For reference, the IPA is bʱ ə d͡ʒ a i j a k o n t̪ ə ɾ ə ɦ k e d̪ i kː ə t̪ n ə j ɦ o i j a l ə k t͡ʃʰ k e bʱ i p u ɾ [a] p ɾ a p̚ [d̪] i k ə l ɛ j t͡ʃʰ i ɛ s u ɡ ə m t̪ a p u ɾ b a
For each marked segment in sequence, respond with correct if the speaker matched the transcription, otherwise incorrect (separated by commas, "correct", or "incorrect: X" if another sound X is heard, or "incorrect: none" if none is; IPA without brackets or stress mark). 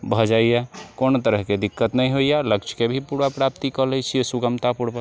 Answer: correct, incorrect: t̪